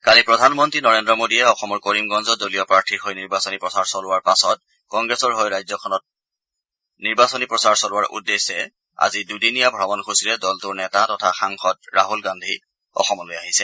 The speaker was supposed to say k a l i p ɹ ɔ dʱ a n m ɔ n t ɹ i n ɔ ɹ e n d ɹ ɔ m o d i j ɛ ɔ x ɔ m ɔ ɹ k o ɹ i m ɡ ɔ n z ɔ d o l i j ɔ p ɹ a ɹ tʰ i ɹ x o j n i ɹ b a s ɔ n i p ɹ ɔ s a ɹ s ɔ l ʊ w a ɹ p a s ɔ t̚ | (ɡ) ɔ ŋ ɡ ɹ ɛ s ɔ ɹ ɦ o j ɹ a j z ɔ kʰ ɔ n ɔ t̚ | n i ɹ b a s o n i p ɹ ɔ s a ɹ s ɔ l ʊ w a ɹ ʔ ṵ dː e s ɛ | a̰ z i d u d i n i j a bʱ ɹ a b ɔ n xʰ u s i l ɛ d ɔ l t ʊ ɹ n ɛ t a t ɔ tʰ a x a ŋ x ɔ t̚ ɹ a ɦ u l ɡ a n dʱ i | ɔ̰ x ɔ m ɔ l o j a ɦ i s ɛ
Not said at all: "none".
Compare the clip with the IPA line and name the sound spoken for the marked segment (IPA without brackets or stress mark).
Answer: k